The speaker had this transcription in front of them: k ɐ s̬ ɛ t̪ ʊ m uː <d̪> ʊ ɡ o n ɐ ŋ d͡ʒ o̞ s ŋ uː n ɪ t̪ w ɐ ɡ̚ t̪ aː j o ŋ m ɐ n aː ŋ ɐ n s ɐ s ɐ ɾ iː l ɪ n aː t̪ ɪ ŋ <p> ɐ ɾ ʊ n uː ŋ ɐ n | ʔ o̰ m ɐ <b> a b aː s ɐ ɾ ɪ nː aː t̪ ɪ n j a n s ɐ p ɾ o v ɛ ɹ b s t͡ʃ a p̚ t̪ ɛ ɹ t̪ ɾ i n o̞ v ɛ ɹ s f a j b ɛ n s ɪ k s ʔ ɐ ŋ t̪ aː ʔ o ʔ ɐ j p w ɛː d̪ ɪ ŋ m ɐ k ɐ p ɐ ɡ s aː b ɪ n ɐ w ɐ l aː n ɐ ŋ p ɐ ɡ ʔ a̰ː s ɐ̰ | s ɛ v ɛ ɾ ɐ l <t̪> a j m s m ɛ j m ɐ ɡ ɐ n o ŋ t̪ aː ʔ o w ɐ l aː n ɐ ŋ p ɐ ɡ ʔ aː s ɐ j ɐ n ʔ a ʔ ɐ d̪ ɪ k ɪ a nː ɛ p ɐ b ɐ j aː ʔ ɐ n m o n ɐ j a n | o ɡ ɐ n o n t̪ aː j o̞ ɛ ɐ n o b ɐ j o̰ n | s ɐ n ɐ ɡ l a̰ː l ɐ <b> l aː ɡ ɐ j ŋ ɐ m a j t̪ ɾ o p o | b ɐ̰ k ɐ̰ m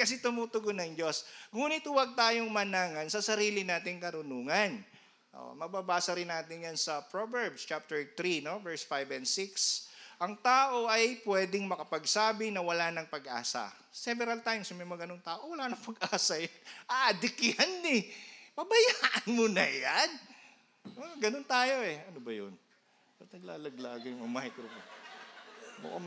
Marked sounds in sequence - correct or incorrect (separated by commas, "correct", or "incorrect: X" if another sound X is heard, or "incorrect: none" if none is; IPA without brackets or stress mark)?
incorrect: t̪, incorrect: k, correct, correct, incorrect: ɡ